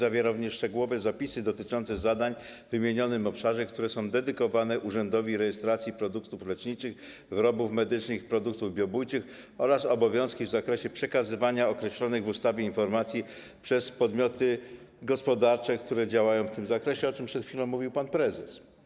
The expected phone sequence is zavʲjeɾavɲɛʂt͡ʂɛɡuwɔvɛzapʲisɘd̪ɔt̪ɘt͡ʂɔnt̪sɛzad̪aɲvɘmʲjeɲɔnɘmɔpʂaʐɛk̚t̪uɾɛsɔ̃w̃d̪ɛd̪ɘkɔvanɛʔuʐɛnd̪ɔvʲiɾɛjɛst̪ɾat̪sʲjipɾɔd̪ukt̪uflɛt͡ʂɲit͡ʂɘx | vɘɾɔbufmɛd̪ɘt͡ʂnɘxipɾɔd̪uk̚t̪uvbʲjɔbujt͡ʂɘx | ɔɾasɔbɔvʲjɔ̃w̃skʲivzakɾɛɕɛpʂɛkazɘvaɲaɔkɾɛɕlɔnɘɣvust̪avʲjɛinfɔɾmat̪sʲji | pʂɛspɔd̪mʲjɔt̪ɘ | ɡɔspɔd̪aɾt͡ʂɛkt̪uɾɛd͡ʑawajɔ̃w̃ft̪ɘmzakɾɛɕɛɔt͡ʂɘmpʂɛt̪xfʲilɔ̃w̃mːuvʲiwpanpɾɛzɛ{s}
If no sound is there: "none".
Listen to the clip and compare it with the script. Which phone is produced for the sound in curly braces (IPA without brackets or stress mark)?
s